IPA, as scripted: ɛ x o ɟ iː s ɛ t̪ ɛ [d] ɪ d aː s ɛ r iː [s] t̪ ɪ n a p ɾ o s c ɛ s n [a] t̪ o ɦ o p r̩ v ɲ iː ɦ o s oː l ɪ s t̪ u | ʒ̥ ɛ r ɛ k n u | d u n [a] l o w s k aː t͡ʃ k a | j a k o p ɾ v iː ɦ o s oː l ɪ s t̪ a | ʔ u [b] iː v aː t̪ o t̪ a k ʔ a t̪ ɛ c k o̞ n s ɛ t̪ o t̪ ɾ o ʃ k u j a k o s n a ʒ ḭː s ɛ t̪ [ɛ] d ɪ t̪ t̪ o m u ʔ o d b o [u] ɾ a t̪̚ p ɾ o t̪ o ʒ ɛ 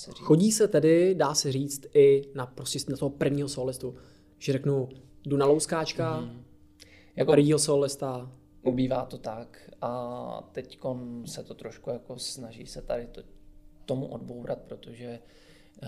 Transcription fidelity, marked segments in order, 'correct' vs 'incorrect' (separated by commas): correct, incorrect, correct, correct, correct, incorrect, incorrect